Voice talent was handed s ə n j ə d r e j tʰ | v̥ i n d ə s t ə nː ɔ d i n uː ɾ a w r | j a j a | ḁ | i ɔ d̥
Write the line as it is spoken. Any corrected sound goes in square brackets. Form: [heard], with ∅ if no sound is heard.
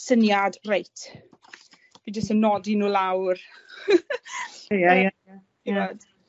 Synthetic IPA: s ə n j [a] d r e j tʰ | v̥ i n [d͡ʒ] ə s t ə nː ɔ d i n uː [l] a w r | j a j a | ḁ | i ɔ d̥